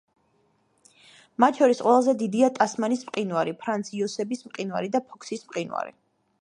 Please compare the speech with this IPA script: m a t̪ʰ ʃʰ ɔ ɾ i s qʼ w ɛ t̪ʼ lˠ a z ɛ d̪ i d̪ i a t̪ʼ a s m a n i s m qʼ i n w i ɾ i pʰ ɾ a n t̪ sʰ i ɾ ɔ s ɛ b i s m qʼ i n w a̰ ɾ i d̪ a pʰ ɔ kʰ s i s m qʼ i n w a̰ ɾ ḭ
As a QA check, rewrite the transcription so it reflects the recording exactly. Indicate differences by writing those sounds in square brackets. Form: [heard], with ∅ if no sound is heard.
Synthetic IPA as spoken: m a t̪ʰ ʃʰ ɔ ɾ i s qʼ w ɛ [∅] lˠ a z ɛ d̪ i d̪ i a t̪ʼ a s m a n i s m qʼ i n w [a] ɾ i pʰ ɾ a n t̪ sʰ i [∅] ɔ s ɛ b i s m qʼ i n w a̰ ɾ i d̪ a pʰ ɔ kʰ s i s m qʼ i n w a̰ ɾ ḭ